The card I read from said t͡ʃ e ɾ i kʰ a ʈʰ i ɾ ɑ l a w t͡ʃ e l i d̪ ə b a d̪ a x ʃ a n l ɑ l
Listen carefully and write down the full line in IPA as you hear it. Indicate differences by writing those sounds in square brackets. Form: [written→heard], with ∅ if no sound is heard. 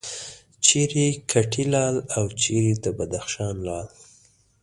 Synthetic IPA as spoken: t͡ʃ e ɾ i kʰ a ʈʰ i [ɾ→l] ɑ l a w t͡ʃ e [l→ɾ] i d̪ ə b a d̪ a x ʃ [a→ɑ] n l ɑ l